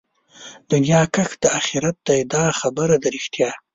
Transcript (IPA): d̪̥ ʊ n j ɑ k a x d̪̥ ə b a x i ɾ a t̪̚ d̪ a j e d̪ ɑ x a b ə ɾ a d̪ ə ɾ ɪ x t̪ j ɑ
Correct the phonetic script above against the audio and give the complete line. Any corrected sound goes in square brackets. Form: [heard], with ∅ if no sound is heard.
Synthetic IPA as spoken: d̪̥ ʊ n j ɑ k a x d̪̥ ə [∅] a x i ɾ a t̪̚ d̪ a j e d̪ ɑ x a b ə ɾ a d̪ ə ɾ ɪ x t̪ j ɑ